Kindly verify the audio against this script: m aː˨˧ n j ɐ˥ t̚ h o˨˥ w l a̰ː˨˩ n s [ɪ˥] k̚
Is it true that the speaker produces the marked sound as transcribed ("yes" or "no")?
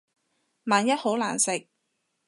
no